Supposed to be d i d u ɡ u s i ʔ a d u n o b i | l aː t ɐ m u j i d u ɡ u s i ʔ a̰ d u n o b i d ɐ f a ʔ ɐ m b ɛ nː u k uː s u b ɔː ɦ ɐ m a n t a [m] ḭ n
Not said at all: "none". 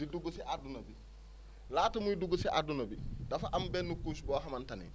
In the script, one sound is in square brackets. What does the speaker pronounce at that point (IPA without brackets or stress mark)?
n